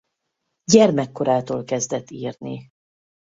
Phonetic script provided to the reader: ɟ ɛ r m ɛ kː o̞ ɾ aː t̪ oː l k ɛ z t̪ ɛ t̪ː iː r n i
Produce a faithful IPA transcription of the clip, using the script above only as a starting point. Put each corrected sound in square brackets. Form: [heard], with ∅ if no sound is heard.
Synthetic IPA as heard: ɟ ɛ r m ɛ kː o̞ ɾ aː t̪ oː l k ɛ z [d̪] ɛ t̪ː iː r n i